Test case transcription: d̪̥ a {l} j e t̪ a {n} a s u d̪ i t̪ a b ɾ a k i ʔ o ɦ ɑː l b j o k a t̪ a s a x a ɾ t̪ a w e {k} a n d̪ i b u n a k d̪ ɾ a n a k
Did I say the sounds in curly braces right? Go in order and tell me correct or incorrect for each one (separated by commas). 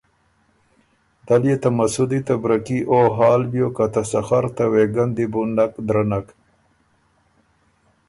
correct, incorrect, incorrect